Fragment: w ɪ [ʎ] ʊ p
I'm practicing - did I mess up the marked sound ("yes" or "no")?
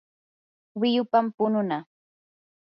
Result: yes